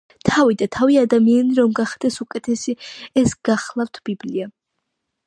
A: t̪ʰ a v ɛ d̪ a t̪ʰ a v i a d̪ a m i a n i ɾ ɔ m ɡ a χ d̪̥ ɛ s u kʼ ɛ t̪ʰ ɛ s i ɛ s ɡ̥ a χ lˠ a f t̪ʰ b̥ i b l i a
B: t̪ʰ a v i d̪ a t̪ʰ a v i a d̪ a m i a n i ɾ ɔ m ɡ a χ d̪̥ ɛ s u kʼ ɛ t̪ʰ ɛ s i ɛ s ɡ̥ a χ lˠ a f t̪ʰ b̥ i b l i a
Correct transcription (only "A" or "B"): B